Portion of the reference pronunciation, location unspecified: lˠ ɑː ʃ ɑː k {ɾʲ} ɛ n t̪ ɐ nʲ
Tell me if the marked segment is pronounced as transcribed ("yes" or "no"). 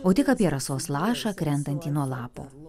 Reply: yes